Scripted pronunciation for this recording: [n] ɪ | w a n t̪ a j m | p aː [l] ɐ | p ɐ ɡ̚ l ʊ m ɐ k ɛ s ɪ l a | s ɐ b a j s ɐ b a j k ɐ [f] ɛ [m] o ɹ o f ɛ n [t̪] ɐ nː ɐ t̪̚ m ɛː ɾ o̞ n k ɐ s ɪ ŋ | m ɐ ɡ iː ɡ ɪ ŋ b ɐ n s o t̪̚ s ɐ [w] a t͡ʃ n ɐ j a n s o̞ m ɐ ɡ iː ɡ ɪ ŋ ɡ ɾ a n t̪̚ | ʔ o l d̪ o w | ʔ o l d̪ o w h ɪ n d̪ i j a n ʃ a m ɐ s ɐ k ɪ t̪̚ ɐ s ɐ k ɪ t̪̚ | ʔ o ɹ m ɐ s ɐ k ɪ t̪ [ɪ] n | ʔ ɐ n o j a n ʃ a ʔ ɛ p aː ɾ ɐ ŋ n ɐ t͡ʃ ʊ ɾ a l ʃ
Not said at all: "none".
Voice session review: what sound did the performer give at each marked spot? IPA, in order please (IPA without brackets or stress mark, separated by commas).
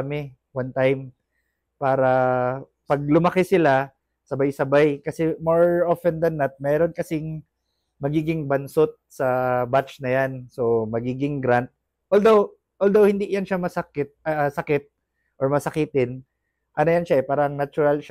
m, ɾ, s, m, d̪, b, ɪ